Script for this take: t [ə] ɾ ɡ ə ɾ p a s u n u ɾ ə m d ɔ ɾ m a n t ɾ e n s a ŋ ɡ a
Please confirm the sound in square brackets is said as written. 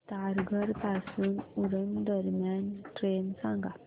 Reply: no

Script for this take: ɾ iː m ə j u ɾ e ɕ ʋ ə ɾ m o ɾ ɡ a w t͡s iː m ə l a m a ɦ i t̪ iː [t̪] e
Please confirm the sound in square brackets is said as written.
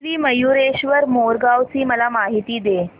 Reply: no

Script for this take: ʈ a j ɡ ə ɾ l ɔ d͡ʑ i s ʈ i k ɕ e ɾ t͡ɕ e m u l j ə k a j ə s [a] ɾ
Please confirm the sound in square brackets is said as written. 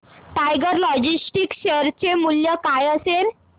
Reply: no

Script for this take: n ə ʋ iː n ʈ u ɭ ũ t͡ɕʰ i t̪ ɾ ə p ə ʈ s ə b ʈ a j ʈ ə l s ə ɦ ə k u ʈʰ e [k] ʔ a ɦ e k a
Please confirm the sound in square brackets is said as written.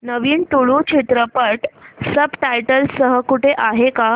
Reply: no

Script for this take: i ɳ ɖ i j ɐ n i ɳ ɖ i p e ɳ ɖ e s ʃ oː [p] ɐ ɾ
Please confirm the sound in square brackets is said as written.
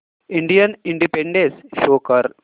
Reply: no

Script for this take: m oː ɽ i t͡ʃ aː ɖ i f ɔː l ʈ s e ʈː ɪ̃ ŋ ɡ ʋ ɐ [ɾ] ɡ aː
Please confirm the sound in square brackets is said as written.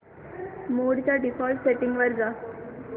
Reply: yes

